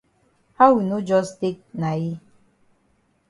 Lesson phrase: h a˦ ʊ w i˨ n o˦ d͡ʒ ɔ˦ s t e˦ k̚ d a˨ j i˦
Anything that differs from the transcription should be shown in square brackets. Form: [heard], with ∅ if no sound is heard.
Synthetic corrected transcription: h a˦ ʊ w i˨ n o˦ d͡ʒ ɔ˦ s t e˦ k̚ [n] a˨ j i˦